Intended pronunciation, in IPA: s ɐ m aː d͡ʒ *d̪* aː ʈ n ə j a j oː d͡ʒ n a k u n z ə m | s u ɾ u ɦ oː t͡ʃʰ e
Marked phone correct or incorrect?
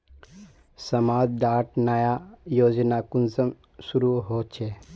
correct